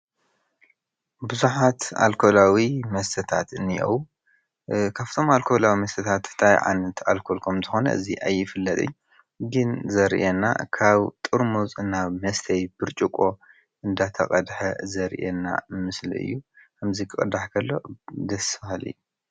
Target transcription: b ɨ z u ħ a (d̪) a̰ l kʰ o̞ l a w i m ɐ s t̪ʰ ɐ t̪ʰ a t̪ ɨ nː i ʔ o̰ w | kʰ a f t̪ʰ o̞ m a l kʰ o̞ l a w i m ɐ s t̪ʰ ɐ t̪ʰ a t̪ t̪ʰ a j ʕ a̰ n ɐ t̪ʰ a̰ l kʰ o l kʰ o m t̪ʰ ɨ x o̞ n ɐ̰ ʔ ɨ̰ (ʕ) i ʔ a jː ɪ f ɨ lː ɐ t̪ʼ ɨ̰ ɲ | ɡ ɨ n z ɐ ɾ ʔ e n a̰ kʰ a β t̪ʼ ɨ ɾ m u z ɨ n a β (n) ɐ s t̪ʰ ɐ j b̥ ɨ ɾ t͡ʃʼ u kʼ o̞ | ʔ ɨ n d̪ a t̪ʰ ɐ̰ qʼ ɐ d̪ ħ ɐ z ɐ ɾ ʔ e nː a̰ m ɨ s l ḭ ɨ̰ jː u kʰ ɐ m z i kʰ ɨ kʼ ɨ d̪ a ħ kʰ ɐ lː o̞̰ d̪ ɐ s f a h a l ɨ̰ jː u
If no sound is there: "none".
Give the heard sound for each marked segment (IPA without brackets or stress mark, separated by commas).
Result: t̪, z, m